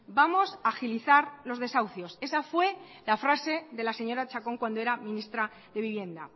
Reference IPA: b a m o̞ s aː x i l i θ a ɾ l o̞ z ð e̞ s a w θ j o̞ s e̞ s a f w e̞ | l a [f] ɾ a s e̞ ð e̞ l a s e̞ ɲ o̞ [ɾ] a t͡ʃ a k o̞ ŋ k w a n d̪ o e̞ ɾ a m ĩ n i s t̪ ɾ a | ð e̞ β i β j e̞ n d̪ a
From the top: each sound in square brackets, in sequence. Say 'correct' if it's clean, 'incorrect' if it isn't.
correct, correct

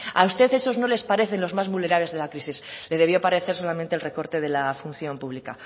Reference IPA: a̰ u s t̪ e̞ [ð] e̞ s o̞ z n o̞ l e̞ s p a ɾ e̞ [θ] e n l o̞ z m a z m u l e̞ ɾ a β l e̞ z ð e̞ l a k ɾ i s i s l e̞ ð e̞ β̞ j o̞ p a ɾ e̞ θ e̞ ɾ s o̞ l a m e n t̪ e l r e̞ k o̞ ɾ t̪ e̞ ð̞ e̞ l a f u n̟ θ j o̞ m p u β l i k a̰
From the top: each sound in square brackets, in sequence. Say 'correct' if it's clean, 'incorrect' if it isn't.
incorrect, correct

